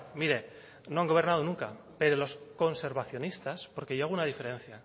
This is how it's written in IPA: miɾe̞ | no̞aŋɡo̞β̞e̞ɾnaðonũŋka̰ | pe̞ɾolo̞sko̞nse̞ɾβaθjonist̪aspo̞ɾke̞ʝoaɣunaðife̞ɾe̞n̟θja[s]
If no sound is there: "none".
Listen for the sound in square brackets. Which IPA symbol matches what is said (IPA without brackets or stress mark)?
none